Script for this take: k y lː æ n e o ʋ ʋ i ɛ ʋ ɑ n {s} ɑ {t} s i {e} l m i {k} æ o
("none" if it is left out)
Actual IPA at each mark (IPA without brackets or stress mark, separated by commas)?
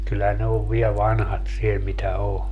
h, t, e, t